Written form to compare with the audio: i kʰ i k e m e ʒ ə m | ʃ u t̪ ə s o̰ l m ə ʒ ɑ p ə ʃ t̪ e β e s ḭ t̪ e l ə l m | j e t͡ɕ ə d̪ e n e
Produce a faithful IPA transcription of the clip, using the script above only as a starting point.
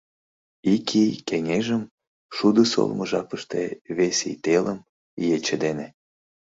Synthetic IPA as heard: i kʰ i k e ŋ e ʒ ə m | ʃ u d̪ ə s o̰ l m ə ʒ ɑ p ə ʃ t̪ e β e s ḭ t̪ e l ə m | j e t͡ɕ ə d̪ e n e